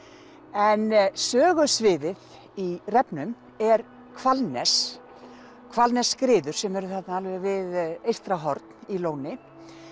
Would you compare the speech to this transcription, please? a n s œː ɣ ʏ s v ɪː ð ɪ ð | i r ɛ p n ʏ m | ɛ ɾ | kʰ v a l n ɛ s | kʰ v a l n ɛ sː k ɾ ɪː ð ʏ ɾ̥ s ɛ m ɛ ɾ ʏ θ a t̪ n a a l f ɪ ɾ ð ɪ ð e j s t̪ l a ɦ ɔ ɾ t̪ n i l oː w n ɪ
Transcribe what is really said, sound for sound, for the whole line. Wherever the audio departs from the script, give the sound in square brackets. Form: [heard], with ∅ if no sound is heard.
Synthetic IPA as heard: [ɛ] n s œː ɣ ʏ s v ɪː ð ɪ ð | i r ɛ p n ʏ m | ɛ ɾ | kʰ v a l n ɛ s | kʰ v a l n ɛ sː k ɾ ɪː ð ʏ ɾ̥ s ɛ m ɛ ɾ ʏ θ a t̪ n a a l [v] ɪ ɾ [v] ɪ ð e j s t̪ [ɾ] a ɦ ɔ ɾ t̪ n i l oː w n ɪ